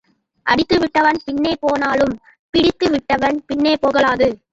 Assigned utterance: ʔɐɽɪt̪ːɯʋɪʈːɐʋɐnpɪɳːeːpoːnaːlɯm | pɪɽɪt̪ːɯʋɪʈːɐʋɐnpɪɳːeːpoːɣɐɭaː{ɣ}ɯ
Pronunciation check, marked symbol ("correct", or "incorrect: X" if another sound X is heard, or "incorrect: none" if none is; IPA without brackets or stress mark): incorrect: ð